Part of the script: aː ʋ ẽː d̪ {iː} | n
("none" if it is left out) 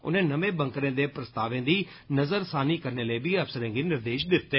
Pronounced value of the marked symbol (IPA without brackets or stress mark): iː